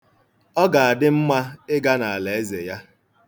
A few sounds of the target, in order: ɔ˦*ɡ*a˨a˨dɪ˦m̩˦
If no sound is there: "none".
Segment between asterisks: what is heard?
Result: ɡ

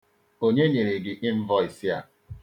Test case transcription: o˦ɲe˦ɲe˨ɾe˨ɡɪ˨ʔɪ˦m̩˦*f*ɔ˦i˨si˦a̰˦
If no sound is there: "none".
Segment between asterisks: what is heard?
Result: v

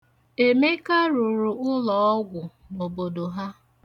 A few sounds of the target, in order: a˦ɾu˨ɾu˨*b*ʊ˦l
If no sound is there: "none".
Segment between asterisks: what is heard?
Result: none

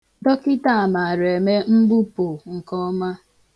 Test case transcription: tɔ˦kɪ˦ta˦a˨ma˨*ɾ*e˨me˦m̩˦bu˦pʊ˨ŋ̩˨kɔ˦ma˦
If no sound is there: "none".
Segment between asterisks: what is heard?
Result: ɾ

